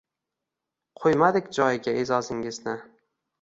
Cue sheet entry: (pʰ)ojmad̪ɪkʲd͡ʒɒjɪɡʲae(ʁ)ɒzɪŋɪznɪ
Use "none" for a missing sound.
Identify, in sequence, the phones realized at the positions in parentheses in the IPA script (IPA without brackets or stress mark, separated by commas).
qʰ, z